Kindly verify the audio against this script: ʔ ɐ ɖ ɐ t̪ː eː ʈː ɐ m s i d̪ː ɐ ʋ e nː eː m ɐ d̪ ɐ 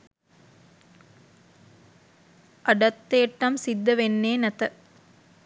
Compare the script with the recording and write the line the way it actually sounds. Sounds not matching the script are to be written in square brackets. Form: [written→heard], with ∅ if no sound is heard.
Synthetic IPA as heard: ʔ ɐ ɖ ɐ t̪ː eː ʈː ɐ m s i d̪ː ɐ ʋ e nː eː [m→n] ɐ [d̪→t̪] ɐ